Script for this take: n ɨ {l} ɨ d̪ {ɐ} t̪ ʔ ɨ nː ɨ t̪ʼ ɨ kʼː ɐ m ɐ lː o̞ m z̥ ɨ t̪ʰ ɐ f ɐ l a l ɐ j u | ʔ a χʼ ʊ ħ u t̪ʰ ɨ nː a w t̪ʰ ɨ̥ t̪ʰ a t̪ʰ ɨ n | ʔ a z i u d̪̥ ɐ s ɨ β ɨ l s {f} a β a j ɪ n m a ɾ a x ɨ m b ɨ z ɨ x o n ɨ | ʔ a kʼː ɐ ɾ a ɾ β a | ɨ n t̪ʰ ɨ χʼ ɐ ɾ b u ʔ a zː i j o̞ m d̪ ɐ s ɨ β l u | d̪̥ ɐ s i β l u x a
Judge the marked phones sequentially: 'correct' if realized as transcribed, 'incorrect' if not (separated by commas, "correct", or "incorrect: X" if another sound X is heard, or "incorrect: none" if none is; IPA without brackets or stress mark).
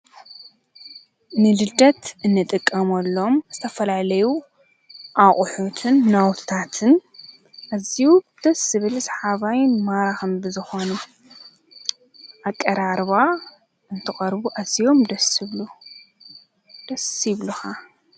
correct, correct, incorrect: ħ